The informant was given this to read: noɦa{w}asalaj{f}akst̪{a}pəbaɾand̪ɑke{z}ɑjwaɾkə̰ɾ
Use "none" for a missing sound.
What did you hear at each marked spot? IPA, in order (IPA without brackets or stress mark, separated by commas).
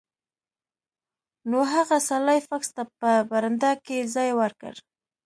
ɣ, f, a, z